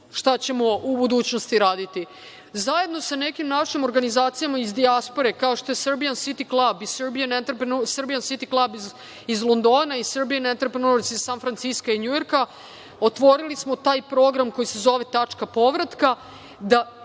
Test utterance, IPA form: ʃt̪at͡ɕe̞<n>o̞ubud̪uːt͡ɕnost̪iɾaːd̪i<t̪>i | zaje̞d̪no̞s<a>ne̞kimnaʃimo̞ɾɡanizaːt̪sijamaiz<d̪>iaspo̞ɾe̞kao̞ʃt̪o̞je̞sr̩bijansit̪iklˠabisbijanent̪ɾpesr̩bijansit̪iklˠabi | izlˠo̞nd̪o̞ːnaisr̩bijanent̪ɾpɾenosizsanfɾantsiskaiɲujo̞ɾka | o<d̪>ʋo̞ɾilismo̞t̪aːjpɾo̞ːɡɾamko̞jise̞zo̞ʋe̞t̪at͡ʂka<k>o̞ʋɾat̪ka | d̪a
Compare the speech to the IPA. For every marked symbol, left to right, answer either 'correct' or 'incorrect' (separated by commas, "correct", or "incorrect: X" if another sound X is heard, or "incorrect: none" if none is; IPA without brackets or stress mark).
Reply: incorrect: m, correct, correct, correct, incorrect: t̪, incorrect: p